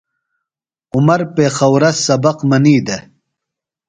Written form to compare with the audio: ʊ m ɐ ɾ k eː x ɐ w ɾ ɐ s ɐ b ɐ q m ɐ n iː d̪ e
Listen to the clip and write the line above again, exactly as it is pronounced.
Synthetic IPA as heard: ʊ m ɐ ɾ p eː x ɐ w ɾ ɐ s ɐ b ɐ q m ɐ n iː d̪ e